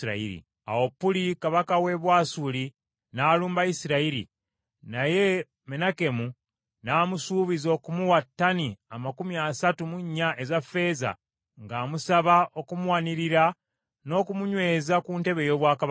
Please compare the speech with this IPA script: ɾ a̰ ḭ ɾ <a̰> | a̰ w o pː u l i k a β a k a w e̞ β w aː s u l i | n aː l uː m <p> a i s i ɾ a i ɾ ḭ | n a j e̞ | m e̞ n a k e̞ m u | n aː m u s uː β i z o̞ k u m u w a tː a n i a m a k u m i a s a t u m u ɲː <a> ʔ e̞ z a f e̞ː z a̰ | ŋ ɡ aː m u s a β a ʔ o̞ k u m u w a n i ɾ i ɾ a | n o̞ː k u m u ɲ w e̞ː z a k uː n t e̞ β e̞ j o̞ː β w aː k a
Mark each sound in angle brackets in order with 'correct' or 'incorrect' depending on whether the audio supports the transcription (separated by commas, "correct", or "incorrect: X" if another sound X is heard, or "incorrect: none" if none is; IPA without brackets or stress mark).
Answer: incorrect: ḭ, incorrect: b, correct